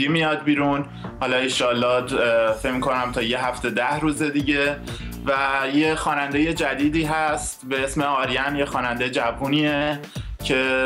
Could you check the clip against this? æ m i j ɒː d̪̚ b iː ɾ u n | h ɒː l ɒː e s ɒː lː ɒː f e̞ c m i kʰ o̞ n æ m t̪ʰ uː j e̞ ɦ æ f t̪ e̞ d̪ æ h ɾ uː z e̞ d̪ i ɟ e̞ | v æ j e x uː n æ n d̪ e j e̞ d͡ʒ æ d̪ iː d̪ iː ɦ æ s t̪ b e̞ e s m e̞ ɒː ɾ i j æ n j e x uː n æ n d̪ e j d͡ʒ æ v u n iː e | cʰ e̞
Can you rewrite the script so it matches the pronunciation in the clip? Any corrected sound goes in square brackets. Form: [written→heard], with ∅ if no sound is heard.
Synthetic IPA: [æ→i] m i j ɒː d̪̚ b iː ɾ u n | h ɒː l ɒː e [s→ʃ] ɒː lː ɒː f e̞ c m i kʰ o̞ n æ m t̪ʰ [uː→ɒː] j e̞ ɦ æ f t̪ e̞ d̪ æ h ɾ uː z e̞ d̪ i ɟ e̞ | v æ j e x [uː→ɒː] n æ n d̪ e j e̞ d͡ʒ æ d̪ iː d̪ iː ɦ æ s t̪ b e̞ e s m e̞ ɒː ɾ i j æ n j e x [uː→ɒː] n æ n d̪ e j d͡ʒ æ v u n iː e | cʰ e̞